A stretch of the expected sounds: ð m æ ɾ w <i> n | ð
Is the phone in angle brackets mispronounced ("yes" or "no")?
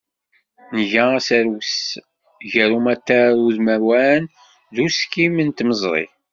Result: yes